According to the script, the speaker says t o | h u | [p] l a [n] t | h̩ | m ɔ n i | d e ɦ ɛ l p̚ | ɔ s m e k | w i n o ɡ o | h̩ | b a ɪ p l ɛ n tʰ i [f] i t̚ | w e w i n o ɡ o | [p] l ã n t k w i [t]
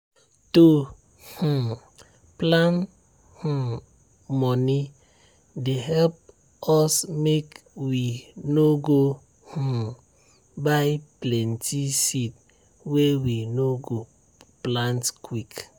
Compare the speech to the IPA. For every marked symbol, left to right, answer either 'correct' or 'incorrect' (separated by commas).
correct, correct, incorrect, correct, incorrect